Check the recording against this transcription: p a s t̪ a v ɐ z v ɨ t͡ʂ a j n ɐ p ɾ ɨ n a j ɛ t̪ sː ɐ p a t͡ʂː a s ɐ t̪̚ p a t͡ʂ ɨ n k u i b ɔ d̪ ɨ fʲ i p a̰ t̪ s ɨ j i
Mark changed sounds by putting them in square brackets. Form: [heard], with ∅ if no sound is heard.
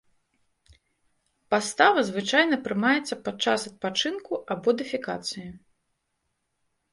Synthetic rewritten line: p a s t̪ a v ɐ z v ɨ t͡ʂ a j n ɐ p ɾ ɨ [m] a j ɛ t̪ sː ɐ p a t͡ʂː a s ɐ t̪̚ p a t͡ʂ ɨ n k u [a] b ɔ d̪ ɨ fʲ i [k] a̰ t̪ s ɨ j i